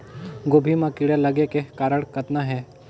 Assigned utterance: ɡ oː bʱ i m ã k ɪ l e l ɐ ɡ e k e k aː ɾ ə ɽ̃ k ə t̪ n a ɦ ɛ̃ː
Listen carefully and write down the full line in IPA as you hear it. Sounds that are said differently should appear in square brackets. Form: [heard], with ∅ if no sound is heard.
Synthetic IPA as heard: ɡ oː bʱ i m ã k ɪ [ɽ] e l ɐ ɡ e k e k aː ɾ ə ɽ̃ k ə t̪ n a ɦ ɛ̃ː